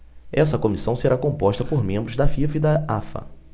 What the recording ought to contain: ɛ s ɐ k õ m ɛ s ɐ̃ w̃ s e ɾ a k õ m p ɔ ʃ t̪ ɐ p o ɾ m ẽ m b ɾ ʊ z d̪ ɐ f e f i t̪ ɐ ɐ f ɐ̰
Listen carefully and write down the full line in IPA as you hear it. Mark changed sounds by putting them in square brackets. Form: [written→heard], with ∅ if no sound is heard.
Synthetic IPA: ɛ s ɐ k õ m [ɛ→i] s ɐ̃ w̃ s e ɾ a k õ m p ɔ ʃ t̪ ɐ p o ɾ m ẽ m b ɾ ʊ z d̪ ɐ f [e→i] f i [t̪→d̪] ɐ [ɐ→a] f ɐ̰